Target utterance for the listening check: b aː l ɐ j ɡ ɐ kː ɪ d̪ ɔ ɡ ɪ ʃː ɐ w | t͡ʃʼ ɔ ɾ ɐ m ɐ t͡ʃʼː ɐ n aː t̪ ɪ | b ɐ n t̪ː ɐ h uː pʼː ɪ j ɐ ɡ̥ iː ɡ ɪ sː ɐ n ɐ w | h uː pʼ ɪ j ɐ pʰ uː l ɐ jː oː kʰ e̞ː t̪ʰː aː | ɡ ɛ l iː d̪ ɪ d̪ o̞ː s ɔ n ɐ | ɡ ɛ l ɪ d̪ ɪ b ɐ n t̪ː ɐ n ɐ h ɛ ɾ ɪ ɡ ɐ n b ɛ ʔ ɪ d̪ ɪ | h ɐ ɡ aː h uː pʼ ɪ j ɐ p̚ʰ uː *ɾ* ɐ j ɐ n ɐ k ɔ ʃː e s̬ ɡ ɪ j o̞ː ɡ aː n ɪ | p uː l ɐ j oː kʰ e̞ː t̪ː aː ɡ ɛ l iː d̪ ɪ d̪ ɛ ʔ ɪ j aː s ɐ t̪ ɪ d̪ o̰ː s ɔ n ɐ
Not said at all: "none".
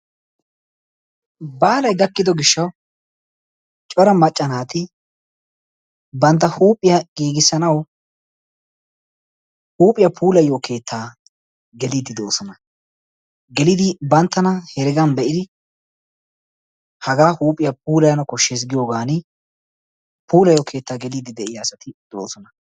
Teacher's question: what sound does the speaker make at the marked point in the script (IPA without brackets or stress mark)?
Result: l